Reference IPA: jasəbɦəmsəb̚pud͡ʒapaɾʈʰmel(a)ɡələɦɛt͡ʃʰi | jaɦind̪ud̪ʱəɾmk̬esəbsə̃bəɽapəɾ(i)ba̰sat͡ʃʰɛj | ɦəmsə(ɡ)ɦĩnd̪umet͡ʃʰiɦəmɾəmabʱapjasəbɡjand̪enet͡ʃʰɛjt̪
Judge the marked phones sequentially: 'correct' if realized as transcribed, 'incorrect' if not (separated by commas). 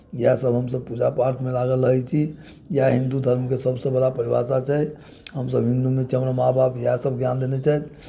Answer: correct, correct, incorrect